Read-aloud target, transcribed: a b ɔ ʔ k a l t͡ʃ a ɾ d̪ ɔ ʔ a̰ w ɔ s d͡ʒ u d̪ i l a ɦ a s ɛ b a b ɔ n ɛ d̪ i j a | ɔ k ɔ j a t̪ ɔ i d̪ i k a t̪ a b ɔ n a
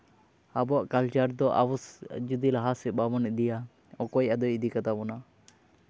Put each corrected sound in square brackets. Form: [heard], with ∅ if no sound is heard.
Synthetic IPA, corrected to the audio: a b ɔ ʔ k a l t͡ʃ a ɾ d̪ ɔ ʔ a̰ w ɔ s d͡ʒ u d̪ i l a ɦ a s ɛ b a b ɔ n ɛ d̪ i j a | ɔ k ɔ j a [d̪] ɔ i d̪ i k a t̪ a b ɔ n a